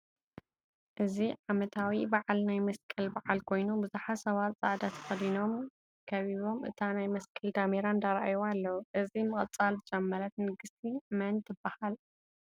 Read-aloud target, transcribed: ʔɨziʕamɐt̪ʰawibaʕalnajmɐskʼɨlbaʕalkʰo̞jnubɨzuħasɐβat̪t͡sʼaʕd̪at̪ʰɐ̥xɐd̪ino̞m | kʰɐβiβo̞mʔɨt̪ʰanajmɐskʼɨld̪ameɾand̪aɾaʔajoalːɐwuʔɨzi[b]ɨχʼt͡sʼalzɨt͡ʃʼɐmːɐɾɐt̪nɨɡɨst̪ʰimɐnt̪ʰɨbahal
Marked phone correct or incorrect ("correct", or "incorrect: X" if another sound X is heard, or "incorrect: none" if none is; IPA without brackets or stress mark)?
incorrect: m